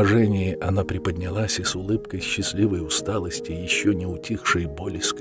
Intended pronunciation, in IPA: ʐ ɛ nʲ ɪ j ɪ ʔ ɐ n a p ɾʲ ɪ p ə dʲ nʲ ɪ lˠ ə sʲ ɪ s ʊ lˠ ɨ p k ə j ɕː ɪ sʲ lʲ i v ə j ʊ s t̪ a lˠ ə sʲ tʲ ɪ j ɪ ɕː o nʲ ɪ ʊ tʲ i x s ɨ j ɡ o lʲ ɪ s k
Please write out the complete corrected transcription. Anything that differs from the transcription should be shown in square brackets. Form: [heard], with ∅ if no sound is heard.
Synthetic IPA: ʐ ɛ nʲ ɪ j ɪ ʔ ɐ n a p ɾʲ ɪ p ə dʲ nʲ ɪ lˠ [a] sʲ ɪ s ʊ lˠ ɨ p k ə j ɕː ɪ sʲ lʲ i v ə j ʊ s t̪ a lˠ ə sʲ tʲ ɪ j ɪ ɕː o nʲ ɪ ʊ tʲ i x [ʂ] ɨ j [b] o lʲ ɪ s k